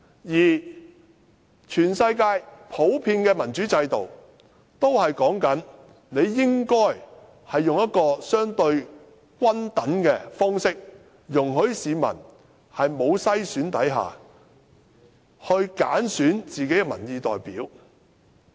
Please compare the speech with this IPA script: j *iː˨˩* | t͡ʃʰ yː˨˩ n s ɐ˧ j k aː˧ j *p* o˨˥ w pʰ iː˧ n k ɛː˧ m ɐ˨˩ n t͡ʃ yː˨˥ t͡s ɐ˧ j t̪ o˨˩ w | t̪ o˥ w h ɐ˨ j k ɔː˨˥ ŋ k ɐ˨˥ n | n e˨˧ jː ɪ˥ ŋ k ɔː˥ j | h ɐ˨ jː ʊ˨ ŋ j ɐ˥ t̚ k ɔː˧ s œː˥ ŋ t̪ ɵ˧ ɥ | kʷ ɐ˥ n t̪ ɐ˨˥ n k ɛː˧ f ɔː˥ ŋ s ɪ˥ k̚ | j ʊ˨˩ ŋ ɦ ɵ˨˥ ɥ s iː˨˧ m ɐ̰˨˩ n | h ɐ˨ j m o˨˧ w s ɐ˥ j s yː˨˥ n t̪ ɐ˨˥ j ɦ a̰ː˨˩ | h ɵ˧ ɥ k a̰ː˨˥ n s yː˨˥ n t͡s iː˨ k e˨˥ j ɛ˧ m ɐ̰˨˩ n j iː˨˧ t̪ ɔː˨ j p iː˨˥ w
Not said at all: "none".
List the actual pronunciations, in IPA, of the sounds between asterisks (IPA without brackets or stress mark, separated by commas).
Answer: iː˨˩, pʰ